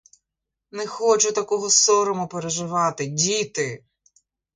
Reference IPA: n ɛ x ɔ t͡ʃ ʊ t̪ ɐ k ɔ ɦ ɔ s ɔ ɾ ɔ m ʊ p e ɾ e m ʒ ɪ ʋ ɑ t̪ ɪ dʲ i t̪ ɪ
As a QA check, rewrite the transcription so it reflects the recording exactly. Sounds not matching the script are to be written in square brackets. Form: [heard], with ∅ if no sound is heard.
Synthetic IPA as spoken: n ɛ x ɔ t͡ʃ ʊ t̪ ɐ k ɔ ɦ ɔ s ɔ ɾ ɔ m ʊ p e ɾ e [∅] ʒ ɪ ʋ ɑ t̪ ɪ dʲ i t̪ ɪ